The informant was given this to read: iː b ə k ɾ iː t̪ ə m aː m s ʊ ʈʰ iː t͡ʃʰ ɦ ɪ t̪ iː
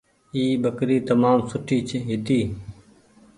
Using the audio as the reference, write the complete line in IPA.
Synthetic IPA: iː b ə k ɾ iː t̪ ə m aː m s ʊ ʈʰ iː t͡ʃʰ ɦ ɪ t̪ iː